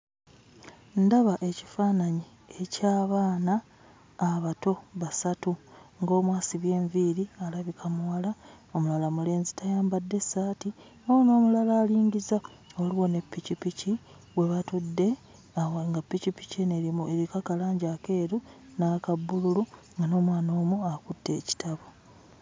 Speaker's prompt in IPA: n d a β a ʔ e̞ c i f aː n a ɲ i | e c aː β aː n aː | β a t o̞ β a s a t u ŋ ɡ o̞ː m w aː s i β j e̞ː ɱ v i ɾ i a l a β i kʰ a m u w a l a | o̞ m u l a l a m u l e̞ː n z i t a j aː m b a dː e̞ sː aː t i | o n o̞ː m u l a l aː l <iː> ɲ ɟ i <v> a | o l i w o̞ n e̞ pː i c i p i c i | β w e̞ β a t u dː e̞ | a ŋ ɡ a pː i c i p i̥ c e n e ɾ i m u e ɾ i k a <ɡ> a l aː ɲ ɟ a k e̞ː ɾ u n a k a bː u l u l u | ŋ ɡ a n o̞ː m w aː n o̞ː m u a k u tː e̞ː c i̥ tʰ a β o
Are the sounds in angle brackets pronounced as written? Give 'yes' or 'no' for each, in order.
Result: yes, no, no

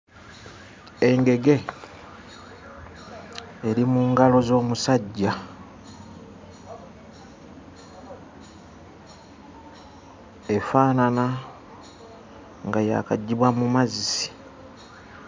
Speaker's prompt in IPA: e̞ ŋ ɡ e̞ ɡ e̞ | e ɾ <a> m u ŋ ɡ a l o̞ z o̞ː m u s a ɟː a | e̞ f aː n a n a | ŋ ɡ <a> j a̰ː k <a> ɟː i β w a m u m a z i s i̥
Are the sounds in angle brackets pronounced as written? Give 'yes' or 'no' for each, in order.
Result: no, yes, yes

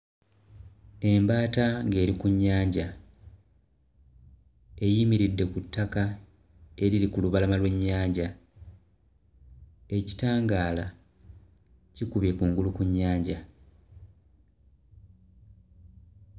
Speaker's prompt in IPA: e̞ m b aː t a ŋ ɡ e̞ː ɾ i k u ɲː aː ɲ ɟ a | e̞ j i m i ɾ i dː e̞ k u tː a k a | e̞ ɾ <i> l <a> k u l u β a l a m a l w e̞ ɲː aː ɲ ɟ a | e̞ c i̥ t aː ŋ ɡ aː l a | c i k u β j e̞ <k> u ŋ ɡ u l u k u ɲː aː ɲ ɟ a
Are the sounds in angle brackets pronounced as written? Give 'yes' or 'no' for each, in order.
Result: yes, no, yes

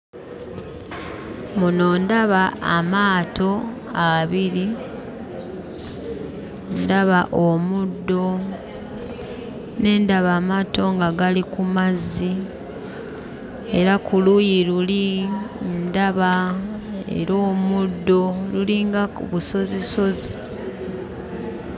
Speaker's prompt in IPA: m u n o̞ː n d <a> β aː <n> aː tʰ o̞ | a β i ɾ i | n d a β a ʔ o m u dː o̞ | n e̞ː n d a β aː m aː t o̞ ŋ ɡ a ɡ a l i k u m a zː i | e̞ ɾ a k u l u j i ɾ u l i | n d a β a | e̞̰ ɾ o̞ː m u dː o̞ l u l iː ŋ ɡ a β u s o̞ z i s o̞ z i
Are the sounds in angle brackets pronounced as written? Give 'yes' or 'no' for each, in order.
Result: yes, no

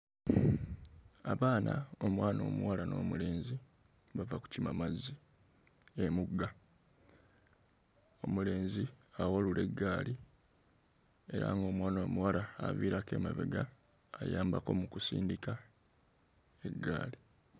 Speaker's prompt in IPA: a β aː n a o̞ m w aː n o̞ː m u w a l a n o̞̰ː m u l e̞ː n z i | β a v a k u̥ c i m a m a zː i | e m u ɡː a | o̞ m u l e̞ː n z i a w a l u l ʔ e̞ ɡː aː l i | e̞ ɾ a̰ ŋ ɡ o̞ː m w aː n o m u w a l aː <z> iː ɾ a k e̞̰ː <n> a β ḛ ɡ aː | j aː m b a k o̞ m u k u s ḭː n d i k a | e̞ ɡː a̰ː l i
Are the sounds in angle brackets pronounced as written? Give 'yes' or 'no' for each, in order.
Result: no, no

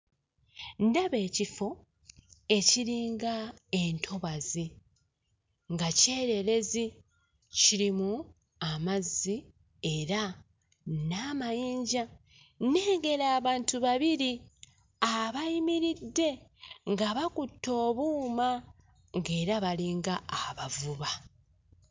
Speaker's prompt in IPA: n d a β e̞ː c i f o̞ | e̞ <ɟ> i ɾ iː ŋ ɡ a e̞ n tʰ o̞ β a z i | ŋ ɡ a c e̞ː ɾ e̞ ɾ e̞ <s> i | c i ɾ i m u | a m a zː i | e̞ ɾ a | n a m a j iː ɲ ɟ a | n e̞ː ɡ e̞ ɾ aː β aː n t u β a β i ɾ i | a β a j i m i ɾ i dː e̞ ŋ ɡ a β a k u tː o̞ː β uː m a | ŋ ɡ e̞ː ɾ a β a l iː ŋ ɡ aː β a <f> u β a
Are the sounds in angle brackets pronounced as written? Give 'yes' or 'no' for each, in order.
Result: no, no, no

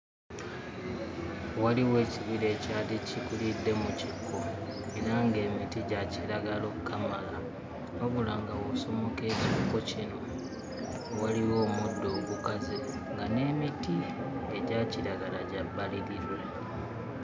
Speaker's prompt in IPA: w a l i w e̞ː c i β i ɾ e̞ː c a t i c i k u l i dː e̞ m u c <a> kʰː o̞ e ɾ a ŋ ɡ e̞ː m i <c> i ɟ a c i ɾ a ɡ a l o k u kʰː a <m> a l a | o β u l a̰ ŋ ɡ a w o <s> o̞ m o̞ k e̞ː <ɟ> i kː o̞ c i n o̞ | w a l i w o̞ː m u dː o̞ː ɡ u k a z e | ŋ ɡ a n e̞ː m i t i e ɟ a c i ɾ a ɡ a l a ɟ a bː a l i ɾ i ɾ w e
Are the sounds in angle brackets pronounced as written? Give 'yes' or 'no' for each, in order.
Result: no, no, yes, yes, no

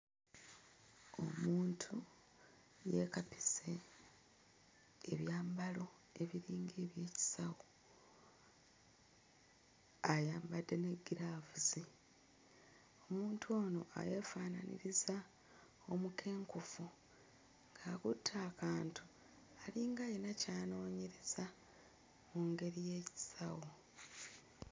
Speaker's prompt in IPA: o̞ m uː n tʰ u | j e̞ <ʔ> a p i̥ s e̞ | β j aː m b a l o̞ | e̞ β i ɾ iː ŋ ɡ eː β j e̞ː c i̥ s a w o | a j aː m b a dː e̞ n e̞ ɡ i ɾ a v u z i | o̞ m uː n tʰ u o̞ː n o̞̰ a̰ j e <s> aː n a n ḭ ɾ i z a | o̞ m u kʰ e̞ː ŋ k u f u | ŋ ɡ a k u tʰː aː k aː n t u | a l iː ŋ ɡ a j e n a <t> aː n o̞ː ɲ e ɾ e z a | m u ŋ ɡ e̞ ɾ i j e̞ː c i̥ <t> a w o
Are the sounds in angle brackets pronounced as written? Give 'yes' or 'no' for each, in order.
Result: no, no, no, no

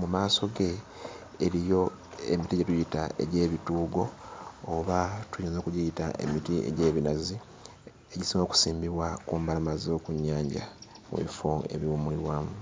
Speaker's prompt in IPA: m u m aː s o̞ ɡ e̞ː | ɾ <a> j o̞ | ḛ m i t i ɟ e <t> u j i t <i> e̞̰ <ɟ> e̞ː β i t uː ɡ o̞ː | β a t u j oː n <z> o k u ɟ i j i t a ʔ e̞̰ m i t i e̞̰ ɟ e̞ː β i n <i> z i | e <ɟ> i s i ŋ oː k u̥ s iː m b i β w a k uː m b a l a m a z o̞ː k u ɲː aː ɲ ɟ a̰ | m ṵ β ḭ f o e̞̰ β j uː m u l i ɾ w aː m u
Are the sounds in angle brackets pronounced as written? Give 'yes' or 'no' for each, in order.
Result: no, yes, no, yes, yes, no, yes

